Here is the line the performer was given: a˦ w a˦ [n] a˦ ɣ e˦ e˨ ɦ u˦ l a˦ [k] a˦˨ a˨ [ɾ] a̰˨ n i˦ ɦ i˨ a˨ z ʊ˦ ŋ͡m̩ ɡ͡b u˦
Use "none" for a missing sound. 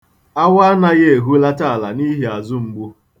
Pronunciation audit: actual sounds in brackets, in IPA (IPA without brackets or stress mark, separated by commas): n, t, l